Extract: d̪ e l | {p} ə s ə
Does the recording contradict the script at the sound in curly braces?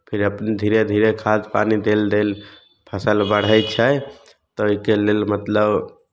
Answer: yes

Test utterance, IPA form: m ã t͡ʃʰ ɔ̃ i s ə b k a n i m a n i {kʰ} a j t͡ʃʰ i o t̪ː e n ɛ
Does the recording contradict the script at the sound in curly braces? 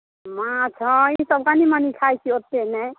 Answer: no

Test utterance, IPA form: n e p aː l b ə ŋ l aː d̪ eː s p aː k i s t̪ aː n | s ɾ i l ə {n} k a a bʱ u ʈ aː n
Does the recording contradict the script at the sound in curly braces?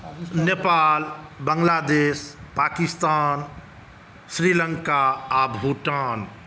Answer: yes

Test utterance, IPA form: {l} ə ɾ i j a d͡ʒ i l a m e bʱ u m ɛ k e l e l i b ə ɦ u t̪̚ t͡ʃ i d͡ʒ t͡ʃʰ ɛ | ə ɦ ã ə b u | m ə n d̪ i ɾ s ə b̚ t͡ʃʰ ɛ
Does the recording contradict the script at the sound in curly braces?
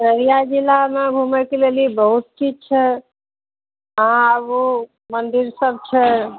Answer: yes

